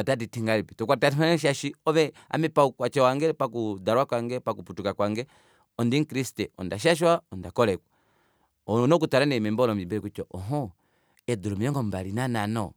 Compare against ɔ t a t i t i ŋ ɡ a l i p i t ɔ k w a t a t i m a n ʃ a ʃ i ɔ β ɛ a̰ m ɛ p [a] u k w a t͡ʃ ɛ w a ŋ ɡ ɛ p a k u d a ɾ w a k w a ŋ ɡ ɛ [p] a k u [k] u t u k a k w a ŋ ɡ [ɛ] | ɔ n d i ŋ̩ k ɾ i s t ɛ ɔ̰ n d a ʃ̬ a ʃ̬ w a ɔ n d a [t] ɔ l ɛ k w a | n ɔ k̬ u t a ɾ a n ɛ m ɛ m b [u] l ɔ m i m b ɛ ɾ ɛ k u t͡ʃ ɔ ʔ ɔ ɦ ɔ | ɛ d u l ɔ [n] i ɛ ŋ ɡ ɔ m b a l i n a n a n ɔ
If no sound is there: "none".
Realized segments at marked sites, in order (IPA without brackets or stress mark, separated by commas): a, p, p, ɛ, k, ɔ, m